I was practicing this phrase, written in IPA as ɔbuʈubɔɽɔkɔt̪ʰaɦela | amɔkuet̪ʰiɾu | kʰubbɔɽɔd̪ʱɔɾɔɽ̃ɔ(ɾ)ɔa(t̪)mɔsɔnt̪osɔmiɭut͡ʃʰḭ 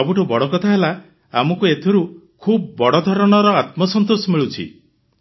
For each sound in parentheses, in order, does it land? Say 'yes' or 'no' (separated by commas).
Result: yes, yes